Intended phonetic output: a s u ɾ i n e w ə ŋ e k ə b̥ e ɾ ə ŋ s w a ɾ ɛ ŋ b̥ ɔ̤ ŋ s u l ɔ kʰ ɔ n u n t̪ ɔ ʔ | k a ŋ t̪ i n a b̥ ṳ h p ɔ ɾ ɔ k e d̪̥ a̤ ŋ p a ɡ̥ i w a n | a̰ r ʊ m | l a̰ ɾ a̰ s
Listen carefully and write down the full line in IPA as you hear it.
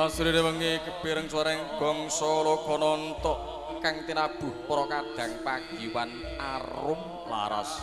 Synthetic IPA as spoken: a s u ɾ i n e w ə ŋ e k ə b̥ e ɾ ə ŋ s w a ɾ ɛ ŋ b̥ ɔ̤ ŋ s ɔ l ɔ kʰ ɔ n ɔ n t̪ ɔ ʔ | k a ŋ t̪ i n a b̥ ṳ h p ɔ ɾ ɔ k a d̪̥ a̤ ŋ p a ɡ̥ i w a n | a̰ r ʊ m | l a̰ ɾ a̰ s